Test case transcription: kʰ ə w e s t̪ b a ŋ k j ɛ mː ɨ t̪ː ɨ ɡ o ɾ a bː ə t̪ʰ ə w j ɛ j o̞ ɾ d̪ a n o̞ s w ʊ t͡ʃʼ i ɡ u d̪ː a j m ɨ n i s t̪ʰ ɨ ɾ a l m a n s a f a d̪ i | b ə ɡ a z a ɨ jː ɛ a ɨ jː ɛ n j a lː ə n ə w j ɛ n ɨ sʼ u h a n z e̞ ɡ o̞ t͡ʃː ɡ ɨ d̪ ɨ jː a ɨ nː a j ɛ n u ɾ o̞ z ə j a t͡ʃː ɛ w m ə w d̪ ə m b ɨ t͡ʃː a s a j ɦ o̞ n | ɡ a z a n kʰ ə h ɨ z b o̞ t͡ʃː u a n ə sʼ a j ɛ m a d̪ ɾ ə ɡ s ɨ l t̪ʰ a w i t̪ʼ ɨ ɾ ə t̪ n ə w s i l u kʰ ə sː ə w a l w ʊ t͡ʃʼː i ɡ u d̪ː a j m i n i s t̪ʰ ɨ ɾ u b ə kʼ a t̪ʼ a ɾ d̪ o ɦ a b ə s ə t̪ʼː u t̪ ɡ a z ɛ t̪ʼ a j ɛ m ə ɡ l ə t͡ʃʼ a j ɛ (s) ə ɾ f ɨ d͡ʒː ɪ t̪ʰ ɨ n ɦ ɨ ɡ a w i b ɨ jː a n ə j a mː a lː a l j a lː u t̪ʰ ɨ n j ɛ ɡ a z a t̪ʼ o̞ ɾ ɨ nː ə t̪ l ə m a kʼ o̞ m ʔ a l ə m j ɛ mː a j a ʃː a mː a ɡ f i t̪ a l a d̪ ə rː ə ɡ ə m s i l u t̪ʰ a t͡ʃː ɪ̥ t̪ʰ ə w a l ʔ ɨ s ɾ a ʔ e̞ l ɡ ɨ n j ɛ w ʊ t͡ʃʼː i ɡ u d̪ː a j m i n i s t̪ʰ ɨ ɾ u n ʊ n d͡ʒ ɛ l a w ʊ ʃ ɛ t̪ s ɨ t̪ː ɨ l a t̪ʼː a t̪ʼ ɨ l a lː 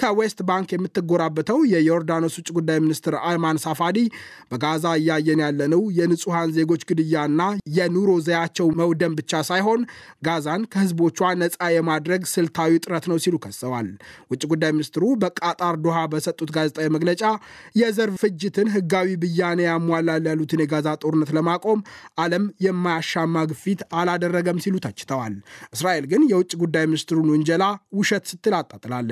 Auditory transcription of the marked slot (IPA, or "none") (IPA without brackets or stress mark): z